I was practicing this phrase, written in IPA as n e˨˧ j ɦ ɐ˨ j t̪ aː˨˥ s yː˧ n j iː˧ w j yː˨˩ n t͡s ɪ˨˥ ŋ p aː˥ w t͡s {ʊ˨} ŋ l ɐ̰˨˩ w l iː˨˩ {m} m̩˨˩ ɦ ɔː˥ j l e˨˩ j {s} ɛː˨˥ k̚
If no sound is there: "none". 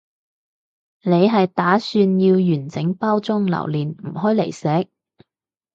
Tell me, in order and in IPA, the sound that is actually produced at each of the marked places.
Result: ʊ˥, n, s

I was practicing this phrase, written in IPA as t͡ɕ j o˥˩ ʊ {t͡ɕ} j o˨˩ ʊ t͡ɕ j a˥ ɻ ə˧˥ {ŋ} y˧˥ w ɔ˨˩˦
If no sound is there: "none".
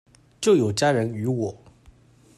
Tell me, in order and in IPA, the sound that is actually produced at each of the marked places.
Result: none, n

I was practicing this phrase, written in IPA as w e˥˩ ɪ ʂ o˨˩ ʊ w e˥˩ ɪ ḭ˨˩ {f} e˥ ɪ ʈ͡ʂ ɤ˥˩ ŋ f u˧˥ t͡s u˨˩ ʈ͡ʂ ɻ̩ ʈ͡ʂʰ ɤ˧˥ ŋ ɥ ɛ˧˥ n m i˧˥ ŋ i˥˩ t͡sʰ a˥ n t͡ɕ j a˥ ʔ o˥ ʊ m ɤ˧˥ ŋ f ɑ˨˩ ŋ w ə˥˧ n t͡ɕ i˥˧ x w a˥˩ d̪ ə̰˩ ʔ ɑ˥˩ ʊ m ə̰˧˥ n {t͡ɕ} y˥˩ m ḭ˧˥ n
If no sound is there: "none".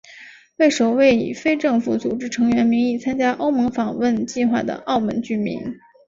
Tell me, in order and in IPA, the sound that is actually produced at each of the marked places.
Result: f, t͡ɕ

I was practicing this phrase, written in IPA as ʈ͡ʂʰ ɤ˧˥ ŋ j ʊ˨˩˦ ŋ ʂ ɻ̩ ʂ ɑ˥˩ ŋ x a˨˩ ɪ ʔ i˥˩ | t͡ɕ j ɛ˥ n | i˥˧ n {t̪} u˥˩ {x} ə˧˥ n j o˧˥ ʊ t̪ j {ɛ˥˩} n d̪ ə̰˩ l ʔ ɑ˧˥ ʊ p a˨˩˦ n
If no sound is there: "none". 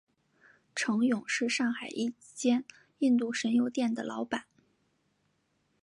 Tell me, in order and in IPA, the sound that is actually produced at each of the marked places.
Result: t̪, ʂ, ɛ˥˩

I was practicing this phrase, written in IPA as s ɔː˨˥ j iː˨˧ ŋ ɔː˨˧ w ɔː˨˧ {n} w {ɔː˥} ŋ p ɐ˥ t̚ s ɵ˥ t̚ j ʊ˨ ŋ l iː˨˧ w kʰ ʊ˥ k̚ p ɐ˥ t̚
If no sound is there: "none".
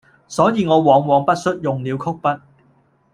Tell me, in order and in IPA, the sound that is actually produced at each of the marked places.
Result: ŋ, ɔː˨˧

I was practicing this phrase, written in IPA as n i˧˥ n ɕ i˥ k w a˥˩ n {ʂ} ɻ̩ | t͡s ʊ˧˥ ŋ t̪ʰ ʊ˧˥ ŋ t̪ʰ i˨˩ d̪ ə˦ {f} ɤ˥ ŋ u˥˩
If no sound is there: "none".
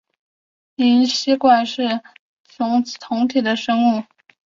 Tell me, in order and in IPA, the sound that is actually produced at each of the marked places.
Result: ʂ, ʂ

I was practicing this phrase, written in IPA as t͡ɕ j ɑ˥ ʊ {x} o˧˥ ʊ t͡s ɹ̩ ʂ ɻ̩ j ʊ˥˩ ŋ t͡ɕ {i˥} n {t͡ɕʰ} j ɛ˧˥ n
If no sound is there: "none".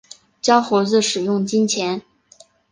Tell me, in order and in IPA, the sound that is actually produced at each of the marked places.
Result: x, i˥, t͡ɕʰ

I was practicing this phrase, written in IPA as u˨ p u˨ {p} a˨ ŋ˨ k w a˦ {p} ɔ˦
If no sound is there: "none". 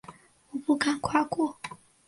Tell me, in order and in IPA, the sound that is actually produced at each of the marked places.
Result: k, k

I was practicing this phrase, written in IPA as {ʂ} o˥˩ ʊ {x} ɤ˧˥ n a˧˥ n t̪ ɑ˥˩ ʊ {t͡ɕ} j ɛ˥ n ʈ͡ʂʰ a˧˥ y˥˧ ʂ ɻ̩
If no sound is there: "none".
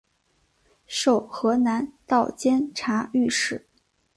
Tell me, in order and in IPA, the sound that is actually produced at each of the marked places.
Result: ʂ, x, t͡ɕ

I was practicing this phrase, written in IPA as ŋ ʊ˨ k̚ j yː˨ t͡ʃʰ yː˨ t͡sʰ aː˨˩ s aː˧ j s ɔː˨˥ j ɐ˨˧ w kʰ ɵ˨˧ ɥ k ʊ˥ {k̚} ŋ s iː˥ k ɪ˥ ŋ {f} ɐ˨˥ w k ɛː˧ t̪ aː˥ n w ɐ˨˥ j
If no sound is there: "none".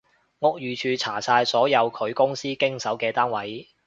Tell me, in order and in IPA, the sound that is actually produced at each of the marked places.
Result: none, s

